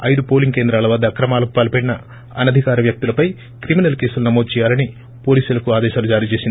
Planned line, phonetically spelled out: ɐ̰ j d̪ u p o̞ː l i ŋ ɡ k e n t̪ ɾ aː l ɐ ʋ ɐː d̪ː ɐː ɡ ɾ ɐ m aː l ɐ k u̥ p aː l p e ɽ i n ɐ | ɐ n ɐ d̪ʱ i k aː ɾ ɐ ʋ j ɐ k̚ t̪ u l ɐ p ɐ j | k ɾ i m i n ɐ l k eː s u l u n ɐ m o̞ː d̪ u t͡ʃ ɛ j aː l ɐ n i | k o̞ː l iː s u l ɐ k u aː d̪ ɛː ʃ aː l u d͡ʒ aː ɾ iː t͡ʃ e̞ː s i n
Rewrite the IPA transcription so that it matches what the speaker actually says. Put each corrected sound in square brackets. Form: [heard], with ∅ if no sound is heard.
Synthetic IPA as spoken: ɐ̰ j d̪ u p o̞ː l i ŋ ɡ k e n [d̪] ɾ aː l ɐ ʋ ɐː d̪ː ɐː [k] ɾ ɐ m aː l ɐ k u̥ p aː l p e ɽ i n ɐ | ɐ n ɐ d̪ʱ i k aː ɾ ɐ ʋ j ɐ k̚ t̪ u l ɐ p ɐ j | k ɾ i m i n ɐ l k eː s u l u n ɐ m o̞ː d̪ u t͡ʃ ɛ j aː l ɐ n i | [p] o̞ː l iː s u l ɐ k u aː d̪ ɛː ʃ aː l u d͡ʒ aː ɾ iː t͡ʃ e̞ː s i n